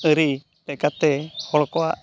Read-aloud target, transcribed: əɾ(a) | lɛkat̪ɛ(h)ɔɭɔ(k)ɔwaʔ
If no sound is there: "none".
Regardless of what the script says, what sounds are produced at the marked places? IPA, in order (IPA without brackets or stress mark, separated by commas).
i, h, k